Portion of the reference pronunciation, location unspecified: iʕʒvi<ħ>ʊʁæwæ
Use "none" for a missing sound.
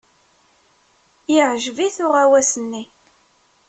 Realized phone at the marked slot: θ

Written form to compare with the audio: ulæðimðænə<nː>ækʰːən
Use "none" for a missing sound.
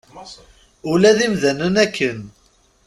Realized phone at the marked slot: n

